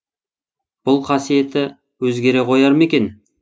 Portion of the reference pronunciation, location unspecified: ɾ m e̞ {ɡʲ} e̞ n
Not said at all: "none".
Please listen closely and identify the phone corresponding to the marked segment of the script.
kʲ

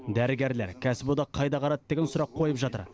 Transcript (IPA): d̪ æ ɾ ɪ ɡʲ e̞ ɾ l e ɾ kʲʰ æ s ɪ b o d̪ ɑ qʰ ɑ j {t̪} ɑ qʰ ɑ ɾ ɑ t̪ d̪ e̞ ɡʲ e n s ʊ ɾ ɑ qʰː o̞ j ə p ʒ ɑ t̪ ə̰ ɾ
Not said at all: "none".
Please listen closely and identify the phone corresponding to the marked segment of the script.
d̪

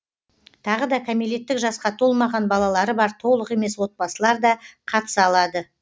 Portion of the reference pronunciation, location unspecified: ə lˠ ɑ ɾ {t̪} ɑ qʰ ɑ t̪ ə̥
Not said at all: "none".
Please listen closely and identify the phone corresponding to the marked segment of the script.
d̪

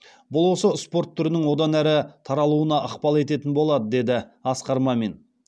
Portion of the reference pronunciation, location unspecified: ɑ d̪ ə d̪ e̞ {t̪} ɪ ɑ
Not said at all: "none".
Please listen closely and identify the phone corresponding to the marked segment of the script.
d̪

